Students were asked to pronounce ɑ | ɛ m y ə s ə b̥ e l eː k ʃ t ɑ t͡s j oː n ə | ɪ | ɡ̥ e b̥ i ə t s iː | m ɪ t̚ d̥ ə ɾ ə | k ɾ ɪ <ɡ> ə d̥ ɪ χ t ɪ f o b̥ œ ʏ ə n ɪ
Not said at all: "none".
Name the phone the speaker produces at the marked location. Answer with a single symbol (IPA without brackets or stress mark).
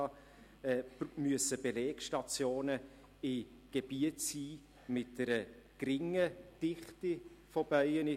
ŋ